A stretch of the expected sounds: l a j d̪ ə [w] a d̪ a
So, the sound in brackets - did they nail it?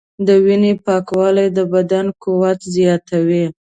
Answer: no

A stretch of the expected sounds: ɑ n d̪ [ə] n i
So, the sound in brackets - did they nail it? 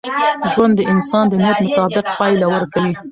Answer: yes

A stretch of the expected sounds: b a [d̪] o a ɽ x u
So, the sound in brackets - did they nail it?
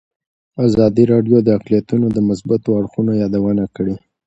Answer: no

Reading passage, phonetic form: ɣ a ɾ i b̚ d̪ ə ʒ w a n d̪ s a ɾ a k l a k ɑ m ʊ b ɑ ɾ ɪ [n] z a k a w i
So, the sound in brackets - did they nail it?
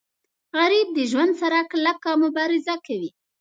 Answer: no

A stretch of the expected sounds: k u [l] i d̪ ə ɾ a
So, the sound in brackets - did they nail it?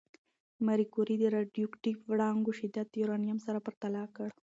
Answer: no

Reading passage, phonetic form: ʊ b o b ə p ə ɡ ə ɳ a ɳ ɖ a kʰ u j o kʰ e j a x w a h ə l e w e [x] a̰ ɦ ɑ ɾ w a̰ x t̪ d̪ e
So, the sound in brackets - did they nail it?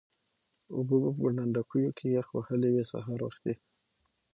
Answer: no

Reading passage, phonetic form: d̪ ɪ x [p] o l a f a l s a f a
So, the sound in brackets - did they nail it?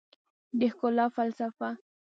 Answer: no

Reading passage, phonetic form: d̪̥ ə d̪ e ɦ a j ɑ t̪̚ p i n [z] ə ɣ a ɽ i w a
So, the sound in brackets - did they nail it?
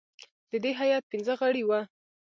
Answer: yes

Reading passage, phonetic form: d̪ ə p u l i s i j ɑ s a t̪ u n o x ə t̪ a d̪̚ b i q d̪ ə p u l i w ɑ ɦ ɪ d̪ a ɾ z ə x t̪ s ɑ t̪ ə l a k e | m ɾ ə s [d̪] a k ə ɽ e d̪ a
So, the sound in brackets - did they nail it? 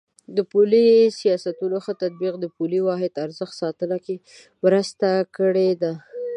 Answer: no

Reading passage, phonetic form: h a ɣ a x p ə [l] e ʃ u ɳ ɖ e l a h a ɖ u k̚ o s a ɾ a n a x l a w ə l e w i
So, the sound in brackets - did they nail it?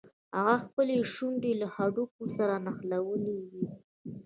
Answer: yes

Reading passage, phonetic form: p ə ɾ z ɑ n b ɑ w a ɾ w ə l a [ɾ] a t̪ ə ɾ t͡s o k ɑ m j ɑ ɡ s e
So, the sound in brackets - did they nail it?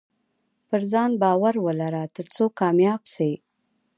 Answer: yes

